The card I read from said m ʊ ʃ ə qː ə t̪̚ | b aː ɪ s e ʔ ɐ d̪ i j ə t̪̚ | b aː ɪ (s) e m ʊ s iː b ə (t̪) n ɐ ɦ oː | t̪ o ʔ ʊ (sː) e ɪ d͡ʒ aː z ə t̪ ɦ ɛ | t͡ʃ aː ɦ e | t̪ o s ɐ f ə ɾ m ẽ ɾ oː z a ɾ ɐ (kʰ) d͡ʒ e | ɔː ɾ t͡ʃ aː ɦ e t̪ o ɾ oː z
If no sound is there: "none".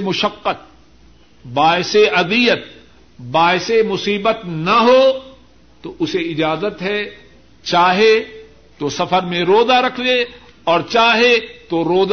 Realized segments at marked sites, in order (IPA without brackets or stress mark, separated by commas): s, t̪, s, kʰ